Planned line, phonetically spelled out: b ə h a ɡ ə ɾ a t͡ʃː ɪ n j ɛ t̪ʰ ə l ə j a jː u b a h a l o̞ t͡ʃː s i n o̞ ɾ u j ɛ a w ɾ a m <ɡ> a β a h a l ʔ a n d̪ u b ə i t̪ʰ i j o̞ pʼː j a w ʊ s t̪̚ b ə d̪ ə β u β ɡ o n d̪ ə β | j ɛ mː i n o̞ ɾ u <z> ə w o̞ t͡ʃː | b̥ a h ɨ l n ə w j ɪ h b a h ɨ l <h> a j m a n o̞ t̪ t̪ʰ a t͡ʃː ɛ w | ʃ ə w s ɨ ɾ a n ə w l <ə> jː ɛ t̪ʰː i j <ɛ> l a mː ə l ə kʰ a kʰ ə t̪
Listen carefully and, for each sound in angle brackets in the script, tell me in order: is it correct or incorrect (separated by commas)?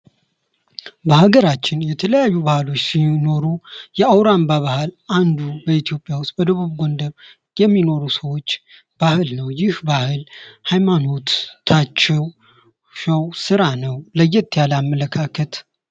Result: incorrect, incorrect, correct, correct, incorrect